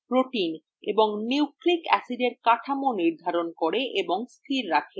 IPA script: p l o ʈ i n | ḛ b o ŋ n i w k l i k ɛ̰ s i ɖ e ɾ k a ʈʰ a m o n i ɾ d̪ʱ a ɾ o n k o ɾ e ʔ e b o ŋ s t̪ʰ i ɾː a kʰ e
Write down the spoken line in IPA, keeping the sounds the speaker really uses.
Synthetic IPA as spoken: p ɾ o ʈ i n | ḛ b o ŋ n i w k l i k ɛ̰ s i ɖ e ɾ k a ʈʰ a m o n i ɾ d̪ʱ a ɾ o n k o ɾ e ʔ e b o ŋ s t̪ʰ i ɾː a kʰ e